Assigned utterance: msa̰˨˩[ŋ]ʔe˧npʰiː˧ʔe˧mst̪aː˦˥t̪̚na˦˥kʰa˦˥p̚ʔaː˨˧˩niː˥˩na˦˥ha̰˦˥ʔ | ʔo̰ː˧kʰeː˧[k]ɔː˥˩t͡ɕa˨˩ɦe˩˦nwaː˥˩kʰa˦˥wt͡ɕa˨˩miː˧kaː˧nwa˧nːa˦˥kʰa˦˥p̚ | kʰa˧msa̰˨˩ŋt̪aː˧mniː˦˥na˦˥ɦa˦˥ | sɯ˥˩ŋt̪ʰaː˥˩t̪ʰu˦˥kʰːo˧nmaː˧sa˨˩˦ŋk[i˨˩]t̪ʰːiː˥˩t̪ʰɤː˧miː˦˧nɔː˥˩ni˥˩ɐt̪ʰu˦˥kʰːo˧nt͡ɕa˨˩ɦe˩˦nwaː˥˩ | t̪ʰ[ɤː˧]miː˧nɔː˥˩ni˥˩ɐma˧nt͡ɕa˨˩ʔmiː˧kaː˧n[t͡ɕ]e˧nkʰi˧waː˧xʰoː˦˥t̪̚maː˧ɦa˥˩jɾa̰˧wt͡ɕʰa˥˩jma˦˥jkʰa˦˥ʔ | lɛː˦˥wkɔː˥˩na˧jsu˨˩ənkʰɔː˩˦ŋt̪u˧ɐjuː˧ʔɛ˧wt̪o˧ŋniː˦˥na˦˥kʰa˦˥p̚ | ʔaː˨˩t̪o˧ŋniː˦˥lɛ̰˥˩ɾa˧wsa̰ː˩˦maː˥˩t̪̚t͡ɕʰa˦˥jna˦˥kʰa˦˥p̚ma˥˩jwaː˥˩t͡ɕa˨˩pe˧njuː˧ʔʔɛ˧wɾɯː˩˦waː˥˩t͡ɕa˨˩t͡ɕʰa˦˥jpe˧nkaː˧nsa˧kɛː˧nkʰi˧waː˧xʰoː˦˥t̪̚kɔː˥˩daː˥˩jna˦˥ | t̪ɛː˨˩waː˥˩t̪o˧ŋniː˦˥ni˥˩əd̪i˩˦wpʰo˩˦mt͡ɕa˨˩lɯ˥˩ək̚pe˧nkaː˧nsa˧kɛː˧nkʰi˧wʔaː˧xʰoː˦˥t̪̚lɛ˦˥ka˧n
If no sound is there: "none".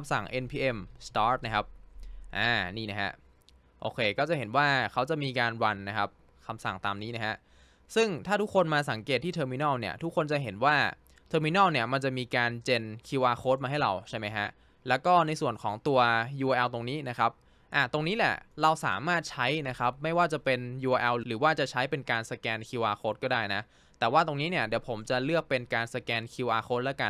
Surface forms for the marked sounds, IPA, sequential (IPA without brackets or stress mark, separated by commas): ŋ, k, e˨˩, ɤː˧, t͡ɕ